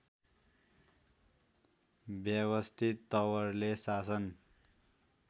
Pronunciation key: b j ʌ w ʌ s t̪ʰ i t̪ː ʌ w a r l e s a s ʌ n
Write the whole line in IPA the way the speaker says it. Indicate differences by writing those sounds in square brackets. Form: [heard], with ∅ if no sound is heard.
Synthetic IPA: b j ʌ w ʌ s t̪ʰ i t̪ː ʌ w [ʌ] r l e s a s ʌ n